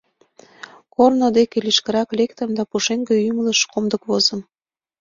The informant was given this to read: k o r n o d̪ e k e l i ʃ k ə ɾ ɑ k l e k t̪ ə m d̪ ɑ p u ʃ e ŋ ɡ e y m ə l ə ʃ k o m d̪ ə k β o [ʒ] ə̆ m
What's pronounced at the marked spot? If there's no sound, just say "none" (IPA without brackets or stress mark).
z